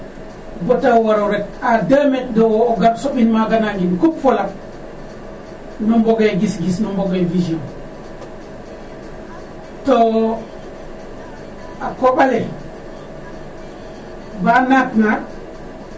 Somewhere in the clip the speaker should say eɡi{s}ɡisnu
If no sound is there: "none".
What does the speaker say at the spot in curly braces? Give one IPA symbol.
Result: s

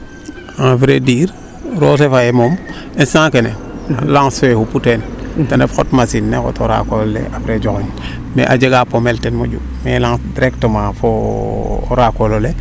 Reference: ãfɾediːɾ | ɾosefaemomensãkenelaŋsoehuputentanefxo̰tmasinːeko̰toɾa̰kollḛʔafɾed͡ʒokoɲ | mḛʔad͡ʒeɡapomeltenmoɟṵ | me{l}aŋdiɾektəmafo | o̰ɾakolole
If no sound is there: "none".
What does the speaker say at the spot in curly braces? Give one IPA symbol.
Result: l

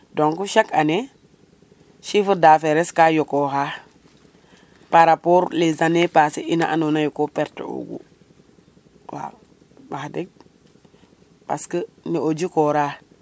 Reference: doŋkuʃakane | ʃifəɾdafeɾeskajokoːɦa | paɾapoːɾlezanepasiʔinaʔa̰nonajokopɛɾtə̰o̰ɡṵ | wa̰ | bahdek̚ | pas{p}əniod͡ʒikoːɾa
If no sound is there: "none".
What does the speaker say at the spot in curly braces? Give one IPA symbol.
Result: k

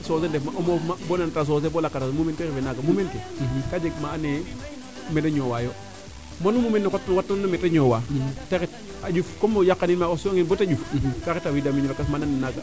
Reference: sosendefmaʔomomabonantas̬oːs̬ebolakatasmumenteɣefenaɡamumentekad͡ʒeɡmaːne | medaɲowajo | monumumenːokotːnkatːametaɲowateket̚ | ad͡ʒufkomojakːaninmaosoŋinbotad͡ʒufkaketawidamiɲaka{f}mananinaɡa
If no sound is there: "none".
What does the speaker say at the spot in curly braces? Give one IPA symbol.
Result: s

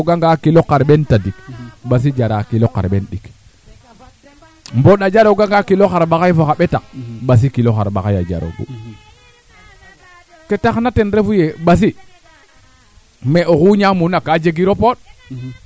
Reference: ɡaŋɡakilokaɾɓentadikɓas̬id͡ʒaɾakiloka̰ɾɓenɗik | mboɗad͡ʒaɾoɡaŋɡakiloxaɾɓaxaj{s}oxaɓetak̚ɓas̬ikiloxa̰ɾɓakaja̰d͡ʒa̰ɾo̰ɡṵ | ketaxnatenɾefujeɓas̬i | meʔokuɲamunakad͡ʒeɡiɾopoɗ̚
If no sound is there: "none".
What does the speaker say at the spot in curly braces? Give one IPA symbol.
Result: f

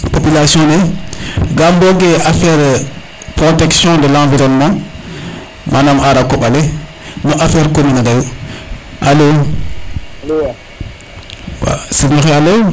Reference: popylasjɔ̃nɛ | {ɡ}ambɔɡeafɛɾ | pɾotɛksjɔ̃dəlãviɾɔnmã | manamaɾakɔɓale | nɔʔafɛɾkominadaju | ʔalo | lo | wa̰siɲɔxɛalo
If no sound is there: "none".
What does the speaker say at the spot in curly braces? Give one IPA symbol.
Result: ɡ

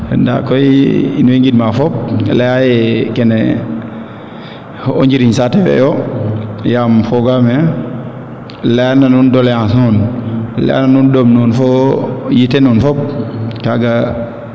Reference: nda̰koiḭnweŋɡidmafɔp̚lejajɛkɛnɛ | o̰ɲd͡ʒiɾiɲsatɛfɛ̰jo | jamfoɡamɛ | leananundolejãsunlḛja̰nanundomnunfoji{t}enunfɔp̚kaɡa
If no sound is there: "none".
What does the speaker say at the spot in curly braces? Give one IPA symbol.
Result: t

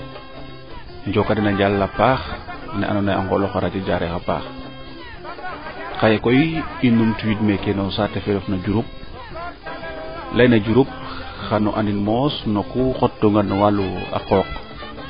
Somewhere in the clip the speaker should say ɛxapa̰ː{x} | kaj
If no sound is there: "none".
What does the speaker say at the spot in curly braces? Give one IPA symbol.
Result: x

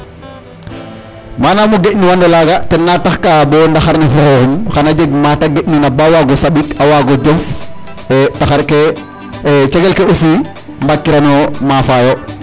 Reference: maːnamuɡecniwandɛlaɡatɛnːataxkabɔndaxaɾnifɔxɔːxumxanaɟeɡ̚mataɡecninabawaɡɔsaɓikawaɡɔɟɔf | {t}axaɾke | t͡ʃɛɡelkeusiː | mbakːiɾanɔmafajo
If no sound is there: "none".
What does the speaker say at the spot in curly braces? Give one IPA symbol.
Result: t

